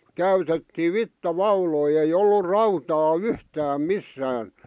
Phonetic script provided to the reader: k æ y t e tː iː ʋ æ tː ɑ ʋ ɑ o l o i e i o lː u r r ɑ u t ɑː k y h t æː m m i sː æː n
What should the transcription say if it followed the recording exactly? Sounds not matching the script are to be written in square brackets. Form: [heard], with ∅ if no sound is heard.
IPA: k æ y t e tː iː ʋ [i] tː ɑ ʋ ɑ [u] l o i e i o lː u r r ɑ u t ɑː [∅] y h t æː m m i sː æː n